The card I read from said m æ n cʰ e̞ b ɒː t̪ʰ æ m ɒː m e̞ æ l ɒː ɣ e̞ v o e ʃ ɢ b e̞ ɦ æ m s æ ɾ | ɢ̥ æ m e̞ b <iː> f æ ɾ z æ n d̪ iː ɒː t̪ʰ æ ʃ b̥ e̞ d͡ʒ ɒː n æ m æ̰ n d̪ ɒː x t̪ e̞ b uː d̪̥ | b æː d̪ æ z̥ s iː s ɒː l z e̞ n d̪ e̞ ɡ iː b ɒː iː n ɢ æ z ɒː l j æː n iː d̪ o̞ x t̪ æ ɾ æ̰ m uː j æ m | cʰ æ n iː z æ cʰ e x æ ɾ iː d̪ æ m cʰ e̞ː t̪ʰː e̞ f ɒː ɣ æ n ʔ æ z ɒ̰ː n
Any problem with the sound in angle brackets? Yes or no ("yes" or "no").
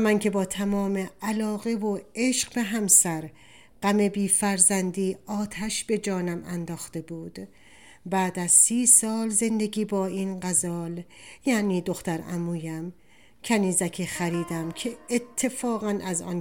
no